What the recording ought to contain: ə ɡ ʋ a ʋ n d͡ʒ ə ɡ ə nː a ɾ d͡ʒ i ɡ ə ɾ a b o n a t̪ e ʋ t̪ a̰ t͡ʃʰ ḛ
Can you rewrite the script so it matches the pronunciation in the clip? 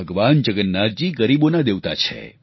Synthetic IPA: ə ɡ ʋ a n d͡ʒ ə ɡ ə nː a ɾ d͡ʒ i ɡ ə ɾ i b o n a d̪ e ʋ t̪ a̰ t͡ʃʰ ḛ